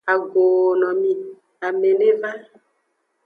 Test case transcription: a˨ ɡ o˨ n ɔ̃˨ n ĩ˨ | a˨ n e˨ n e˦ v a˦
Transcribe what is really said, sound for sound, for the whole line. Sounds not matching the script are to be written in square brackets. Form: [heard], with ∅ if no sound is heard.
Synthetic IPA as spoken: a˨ ɡ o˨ n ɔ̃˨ [m] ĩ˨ | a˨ [m] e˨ n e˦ v a˦